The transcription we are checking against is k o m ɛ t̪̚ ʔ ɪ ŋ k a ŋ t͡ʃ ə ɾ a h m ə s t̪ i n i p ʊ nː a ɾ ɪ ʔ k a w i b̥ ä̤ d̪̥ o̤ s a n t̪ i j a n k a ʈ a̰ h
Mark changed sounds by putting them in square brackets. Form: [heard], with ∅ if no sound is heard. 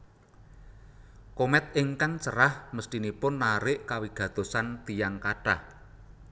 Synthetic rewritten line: k o m ɛ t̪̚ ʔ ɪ ŋ k a ŋ t͡ʃ ə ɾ a h m ə s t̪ i n i p ʊ nː a ɾ ɪ ʔ k a w i [ɡ̥] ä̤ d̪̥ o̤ s a n t̪ i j a [ŋ] k a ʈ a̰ h